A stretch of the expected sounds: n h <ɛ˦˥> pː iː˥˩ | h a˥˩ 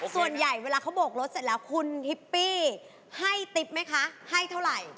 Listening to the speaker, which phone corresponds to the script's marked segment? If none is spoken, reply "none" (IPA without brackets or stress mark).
i˦˥